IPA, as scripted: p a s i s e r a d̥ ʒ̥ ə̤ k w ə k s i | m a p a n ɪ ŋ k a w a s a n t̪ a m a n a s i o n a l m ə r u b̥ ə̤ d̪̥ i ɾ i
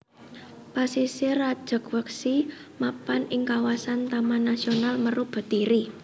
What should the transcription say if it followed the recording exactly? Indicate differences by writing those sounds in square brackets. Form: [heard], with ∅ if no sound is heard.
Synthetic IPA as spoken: p a s i s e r a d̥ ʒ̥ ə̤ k w ə k s i | m a p a n ɪ ŋ k a w a s a n t̪ a m a n a s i o n a l m ə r u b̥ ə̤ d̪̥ i ɾ i